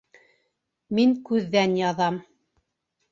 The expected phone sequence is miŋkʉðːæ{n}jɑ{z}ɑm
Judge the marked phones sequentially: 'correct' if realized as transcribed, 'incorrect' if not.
correct, incorrect: ð

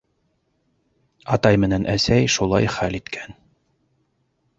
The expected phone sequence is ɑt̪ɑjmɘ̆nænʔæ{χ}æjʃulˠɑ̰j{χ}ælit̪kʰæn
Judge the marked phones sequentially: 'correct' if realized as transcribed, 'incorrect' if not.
incorrect: s, correct

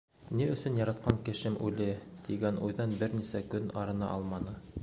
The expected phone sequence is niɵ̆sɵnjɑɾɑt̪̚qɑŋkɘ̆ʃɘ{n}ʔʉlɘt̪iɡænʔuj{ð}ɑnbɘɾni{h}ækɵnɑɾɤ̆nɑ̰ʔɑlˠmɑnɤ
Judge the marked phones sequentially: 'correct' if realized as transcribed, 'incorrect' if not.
incorrect: m, correct, incorrect: s

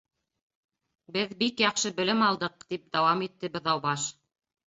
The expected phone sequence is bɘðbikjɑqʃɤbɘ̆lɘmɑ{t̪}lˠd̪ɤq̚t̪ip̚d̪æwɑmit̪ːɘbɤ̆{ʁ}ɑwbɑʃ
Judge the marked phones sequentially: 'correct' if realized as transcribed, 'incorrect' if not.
incorrect: none, incorrect: ð

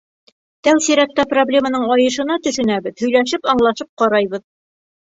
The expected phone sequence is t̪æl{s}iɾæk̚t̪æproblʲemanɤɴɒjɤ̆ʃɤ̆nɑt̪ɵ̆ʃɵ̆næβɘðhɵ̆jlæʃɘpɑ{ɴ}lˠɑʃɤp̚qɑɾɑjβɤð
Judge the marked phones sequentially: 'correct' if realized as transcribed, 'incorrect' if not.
correct, correct

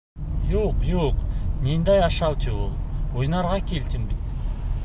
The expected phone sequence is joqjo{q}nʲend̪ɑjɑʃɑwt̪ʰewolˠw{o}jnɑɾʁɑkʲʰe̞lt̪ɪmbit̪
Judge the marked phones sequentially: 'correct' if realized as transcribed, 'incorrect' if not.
correct, correct

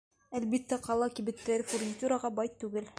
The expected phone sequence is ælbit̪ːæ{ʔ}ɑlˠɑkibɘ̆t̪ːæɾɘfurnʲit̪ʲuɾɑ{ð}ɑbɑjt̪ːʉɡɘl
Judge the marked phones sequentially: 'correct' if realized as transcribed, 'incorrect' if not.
incorrect: q, incorrect: ʁ

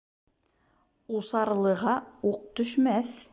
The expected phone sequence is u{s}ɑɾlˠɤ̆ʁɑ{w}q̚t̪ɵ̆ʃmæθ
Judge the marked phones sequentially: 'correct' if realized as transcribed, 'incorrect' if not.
correct, incorrect: u

